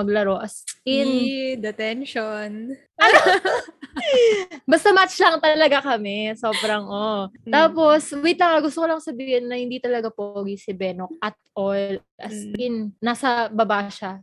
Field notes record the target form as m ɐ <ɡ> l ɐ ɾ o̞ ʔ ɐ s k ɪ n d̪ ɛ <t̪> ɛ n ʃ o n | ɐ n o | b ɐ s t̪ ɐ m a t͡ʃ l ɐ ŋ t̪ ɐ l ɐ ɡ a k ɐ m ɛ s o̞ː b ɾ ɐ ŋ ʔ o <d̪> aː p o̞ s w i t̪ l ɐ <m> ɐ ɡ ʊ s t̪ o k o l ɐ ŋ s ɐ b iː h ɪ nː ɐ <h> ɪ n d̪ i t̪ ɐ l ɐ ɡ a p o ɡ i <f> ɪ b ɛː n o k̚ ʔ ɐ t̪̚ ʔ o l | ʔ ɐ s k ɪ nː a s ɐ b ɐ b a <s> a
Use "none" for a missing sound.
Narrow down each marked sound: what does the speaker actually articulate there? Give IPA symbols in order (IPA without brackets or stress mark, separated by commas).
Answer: ɡ, t̪, t̪, ŋ, h, s, ʃ